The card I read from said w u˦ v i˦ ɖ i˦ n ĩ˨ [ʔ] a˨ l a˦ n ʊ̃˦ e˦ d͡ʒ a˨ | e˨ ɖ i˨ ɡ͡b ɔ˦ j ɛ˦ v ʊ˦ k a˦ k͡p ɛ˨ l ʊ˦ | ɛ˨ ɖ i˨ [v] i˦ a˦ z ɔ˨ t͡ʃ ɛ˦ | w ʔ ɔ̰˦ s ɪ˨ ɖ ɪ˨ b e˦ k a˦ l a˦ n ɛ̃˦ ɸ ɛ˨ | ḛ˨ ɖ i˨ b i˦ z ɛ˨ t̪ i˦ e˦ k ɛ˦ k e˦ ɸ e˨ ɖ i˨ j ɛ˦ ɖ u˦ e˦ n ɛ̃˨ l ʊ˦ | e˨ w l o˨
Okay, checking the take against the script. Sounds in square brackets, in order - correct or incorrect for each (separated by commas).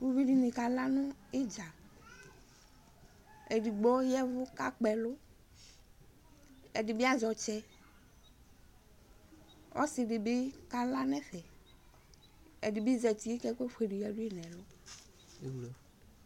incorrect, incorrect